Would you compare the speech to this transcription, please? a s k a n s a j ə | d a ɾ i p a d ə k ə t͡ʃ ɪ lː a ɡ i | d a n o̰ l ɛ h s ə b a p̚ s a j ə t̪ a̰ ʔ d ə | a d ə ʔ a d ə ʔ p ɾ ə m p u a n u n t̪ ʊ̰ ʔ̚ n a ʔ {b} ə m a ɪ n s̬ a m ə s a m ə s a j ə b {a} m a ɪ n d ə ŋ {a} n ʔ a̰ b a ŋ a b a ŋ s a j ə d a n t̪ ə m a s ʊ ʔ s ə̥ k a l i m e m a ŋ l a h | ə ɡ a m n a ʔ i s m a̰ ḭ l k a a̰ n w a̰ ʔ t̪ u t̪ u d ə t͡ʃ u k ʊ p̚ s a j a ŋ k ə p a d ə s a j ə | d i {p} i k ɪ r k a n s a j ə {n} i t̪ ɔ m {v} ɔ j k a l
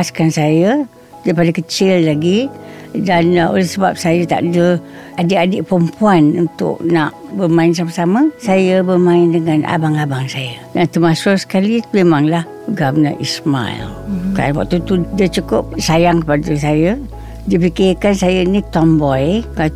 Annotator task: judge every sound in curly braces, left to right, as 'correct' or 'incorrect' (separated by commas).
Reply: correct, incorrect, correct, correct, correct, incorrect